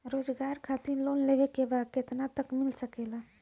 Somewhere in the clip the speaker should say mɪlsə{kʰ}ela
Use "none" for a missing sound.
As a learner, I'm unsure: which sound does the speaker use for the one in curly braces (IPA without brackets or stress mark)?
k